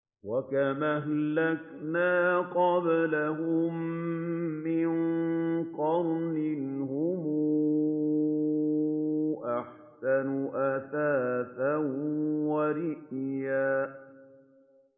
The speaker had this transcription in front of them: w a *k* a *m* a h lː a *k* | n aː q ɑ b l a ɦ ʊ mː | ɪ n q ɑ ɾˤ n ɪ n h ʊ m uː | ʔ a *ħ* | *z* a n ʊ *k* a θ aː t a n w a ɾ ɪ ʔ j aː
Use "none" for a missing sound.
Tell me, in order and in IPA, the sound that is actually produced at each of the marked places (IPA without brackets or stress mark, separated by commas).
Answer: k, m, k, ħ, s, ʔ